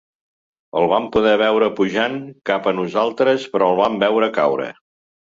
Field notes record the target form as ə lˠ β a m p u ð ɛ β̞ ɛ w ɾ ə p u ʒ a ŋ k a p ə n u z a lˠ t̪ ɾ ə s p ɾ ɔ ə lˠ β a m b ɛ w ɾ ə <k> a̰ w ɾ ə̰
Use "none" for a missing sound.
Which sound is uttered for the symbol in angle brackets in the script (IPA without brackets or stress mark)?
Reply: k